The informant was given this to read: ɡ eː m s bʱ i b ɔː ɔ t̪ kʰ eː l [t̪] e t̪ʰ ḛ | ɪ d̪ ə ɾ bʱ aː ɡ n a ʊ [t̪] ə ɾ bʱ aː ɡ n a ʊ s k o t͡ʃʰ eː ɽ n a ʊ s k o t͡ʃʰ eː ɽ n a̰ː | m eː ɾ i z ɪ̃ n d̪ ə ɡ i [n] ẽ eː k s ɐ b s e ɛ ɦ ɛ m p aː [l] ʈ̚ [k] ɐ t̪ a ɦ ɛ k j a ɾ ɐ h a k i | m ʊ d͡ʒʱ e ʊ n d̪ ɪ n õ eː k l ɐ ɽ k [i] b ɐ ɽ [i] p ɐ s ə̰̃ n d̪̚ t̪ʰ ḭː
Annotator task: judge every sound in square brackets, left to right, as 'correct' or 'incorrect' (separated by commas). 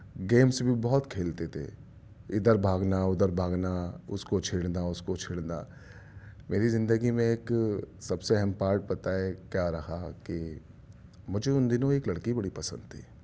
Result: correct, incorrect, incorrect, incorrect, incorrect, correct, correct